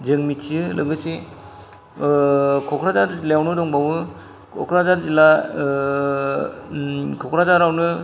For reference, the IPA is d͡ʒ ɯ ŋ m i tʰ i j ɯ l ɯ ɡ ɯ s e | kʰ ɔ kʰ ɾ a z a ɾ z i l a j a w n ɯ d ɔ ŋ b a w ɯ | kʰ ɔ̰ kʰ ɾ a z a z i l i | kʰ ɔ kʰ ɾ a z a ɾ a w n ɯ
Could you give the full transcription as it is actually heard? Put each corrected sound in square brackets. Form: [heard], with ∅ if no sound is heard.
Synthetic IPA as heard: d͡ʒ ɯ ŋ m i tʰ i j ɯ l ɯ ɡ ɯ s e | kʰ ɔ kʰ ɾ a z a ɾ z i l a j a w n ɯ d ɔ ŋ b a w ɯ | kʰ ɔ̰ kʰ ɾ a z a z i l [a] | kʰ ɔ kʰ ɾ a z a ɾ a w n ɯ